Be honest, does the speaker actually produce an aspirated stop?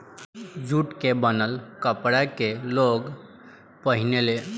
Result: no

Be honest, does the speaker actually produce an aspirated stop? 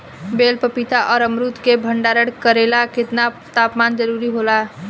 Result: no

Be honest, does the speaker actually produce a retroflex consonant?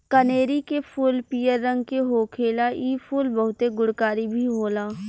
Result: yes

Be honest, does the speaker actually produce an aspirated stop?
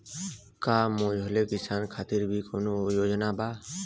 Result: yes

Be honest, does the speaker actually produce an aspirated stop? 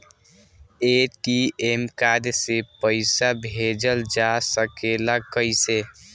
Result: no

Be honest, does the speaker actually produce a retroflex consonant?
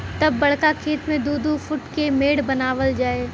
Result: yes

